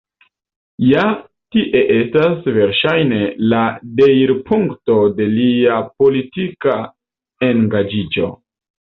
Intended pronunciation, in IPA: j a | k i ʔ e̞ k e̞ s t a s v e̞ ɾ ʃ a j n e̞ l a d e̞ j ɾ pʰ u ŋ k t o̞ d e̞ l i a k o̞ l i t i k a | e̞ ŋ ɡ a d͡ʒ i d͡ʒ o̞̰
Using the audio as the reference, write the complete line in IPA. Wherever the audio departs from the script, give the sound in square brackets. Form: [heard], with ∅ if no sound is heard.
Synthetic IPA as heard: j a | [t] i ʔ e̞ [ʔ] e̞ s t a s v e̞ ɾ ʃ a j n e̞ l a d e̞ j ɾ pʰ u ŋ k t o̞ d e̞ l i a [p] o̞ l i t i k a | e̞ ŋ ɡ a d͡ʒ i d͡ʒ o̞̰